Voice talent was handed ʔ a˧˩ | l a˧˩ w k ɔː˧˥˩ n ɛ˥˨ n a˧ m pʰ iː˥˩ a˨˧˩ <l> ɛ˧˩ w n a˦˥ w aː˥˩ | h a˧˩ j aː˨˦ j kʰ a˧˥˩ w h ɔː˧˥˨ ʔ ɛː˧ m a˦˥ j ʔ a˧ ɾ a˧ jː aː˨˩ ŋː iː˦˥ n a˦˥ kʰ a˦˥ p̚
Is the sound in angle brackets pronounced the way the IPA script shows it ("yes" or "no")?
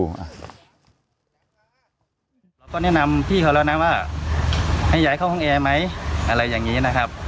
yes